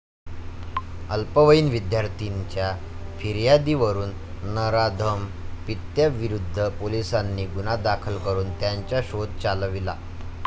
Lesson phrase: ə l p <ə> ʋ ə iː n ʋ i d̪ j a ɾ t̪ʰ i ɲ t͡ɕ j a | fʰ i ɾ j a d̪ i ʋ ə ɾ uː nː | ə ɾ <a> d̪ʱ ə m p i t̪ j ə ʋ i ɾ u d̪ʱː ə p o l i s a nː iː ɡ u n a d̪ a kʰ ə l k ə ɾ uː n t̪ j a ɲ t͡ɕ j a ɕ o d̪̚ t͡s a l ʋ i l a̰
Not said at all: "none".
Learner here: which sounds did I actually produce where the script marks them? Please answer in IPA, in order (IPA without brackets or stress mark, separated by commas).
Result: ə, a